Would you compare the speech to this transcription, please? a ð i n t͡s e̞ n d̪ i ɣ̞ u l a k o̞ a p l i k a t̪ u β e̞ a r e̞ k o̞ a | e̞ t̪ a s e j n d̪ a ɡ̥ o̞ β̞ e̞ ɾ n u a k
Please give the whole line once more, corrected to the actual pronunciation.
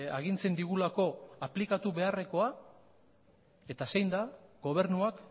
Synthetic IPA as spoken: a ɣ i n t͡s e̞ n d̪ i ɣ̞ u l a k o̞ a p l i k a t̪ u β e̞ a r e̞ k o̞ a | e̞ t̪ a s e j n d̪ a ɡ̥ o̞ β̞ e̞ ɾ n u a k